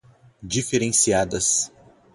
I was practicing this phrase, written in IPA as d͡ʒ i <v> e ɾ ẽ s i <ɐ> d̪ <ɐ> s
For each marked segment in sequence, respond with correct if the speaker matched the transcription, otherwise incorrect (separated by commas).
incorrect, incorrect, correct